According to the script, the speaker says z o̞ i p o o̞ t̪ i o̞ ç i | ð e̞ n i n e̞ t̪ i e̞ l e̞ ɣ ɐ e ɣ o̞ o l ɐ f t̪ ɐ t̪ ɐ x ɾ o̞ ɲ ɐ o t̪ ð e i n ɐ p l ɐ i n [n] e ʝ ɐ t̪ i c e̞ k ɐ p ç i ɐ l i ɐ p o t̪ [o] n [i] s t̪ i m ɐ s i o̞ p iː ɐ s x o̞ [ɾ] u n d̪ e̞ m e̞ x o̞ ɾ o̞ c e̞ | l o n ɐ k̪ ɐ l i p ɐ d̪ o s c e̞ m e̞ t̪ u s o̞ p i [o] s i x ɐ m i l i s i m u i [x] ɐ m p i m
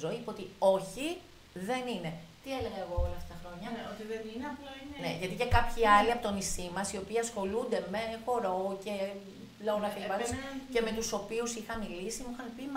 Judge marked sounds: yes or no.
yes, yes, yes, no, no, yes

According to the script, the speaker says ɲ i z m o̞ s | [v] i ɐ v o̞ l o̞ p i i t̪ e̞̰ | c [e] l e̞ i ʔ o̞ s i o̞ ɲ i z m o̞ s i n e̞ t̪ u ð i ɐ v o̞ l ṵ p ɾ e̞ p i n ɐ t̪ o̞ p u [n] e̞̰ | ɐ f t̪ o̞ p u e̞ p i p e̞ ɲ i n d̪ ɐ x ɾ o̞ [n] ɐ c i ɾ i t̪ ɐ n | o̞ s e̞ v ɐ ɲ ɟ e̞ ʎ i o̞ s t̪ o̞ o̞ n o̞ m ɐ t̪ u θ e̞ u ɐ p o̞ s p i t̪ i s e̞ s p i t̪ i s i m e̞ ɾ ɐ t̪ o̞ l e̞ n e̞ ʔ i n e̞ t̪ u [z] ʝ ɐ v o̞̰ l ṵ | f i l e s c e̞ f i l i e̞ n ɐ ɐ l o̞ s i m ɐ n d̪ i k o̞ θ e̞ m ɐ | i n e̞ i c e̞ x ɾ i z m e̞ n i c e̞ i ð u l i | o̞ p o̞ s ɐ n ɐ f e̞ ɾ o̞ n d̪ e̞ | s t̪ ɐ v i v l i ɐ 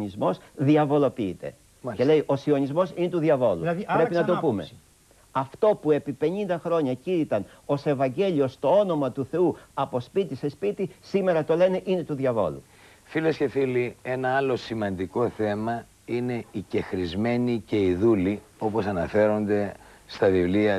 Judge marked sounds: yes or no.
no, yes, no, no, no

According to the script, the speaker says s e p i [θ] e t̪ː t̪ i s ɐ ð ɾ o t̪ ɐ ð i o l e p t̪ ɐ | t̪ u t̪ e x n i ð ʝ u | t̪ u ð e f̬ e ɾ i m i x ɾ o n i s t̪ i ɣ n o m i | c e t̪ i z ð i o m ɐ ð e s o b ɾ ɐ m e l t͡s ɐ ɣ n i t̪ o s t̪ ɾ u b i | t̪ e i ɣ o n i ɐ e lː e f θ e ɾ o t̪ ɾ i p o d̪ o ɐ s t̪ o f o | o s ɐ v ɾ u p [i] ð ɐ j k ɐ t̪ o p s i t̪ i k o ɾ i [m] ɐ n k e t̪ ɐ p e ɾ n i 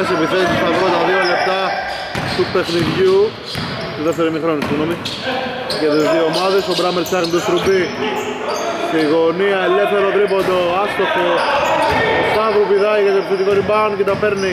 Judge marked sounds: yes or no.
yes, yes, no

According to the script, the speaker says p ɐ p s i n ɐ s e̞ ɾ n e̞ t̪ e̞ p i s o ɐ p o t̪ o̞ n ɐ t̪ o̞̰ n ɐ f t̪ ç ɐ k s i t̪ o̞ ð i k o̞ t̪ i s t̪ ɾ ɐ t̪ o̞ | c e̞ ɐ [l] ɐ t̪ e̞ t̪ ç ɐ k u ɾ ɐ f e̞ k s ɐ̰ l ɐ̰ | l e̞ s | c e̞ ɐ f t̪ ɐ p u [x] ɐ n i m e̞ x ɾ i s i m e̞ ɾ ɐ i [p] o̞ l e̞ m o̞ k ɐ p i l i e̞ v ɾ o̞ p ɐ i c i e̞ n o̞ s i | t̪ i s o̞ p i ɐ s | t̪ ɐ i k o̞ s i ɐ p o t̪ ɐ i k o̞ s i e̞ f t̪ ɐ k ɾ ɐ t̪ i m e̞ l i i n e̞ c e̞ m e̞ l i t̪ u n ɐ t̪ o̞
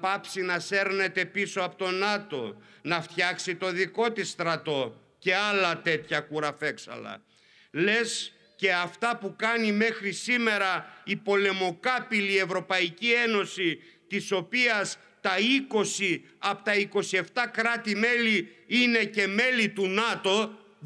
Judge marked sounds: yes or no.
yes, no, yes

